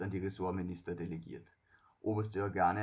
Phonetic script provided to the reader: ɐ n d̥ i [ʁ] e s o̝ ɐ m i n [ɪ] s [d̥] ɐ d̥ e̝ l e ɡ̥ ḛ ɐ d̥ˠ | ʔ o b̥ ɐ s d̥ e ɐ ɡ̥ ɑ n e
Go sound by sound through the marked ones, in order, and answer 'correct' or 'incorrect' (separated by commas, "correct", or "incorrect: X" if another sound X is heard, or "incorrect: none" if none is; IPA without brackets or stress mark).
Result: correct, incorrect: i, correct